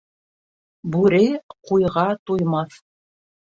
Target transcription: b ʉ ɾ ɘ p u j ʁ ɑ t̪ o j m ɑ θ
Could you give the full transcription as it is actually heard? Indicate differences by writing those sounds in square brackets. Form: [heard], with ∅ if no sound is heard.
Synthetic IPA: b ʉ ɾ ɘ [q] u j ʁ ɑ t̪ [u] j m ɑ θ